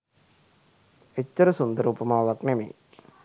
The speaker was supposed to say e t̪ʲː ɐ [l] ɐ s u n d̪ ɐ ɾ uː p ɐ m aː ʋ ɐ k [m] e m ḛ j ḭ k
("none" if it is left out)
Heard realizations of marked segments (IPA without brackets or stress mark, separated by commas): ɾ, n